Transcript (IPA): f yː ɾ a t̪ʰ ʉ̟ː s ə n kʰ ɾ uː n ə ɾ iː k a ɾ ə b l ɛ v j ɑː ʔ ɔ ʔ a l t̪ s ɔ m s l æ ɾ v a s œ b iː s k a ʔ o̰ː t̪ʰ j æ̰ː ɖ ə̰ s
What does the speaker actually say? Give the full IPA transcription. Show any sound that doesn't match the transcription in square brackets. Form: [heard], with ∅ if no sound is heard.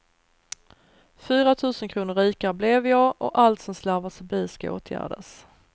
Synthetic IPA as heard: f yː ɾ a t̪ʰ ʉ̟ː s ə n kʰ ɾ uː n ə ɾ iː k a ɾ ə b l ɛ v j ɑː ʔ ɔ ʔ a l t̪ s ɔ m s l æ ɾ v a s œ b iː s k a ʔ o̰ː t̪ʰ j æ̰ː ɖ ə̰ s